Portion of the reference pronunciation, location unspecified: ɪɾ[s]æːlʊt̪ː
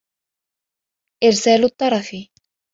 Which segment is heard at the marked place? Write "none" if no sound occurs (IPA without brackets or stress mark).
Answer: s